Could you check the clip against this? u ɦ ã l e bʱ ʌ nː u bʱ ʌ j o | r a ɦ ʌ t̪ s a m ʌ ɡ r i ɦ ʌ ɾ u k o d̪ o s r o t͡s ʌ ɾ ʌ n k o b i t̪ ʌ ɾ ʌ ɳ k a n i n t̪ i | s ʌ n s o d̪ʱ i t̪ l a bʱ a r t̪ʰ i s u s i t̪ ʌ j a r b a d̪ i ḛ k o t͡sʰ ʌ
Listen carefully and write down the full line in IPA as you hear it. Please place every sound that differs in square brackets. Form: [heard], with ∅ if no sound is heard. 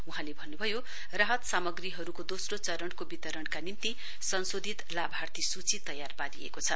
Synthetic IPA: u ɦ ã l e bʱ ʌ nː u bʱ ʌ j o | r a ɦ ʌ t̪ s a m ʌ ɡ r i ɦ ʌ ɾ u k o d̪ o s r o t͡s ʌ ɾ ʌ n k o b i t̪ ʌ ɾ ʌ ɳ k a n i n t̪ i | s ʌ n s o d̪ʱ i t̪ l a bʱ a r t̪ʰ i s u [t͡s] i t̪ ʌ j a r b a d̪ i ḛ k o t͡sʰ ʌ